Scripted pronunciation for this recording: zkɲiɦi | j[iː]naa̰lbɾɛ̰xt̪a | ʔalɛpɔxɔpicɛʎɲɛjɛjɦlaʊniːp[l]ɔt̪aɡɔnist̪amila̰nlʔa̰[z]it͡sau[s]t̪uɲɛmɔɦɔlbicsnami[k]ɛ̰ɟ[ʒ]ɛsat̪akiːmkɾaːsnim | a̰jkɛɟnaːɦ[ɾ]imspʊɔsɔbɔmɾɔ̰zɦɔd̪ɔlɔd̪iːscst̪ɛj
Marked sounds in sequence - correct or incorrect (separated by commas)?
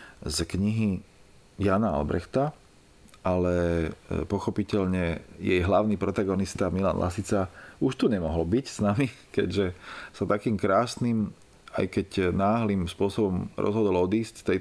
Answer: incorrect, incorrect, incorrect, incorrect, correct, correct, incorrect